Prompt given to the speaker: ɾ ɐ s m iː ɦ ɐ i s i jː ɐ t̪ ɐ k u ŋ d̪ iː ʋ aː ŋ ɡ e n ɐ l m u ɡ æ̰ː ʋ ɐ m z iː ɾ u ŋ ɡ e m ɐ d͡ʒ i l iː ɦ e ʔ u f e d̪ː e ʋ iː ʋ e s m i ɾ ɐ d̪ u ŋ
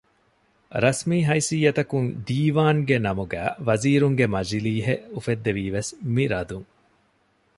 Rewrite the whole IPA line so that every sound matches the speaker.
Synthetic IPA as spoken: ɾ ɐ s m iː ɦ ɐ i s i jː ɐ t̪ ɐ k u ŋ d̪ iː ʋ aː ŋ ɡ e n ɐ m u ɡ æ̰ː ʋ ɐ z iː ɾ u ŋ ɡ e m ɐ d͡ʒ i l iː ɦ e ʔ u f e d̪ː e ʋ iː ʋ e s m i ɾ ɐ d̪ u ŋ